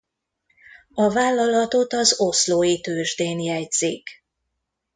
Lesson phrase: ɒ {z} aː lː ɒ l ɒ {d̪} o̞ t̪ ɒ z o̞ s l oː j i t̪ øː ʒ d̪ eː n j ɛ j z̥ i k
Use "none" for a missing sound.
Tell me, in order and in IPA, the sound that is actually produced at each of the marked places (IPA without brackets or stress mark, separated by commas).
v, t̪